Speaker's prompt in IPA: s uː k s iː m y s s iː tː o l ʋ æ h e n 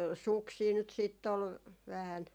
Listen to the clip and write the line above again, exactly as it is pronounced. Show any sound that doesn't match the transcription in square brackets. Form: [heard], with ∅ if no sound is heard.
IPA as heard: s [u] k s iː [n] y [t] s iː tː o l ʋ æ h [æ] n

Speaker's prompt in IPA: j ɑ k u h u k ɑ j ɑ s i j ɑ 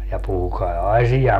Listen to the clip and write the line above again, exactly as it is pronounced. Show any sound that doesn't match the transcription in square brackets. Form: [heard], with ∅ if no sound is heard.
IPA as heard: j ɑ [p] u h u k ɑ [i] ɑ s i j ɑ

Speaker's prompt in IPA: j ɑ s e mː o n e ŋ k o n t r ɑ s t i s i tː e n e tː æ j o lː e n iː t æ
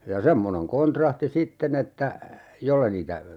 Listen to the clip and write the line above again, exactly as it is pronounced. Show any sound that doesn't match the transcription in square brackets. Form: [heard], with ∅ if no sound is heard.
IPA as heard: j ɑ s e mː o n e ŋ k o n t r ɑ [h] t i s i tː e n e tː æ j o lː e n iː t æ

